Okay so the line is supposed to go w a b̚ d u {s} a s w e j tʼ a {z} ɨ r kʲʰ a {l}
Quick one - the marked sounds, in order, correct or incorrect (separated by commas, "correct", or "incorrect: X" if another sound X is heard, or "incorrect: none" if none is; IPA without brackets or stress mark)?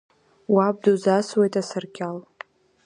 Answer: incorrect: z, incorrect: s, correct